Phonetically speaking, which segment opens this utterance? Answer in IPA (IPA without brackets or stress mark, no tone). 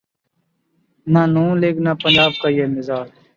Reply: n